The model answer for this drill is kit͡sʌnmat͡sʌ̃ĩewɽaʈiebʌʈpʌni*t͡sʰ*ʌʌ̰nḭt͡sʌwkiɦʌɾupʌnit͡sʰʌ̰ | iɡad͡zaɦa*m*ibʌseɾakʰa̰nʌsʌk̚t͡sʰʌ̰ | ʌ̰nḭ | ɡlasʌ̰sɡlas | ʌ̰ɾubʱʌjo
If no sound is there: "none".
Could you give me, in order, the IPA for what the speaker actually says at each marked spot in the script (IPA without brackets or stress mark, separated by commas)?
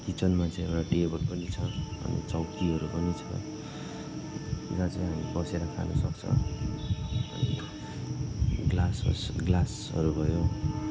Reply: t͡sʰ, m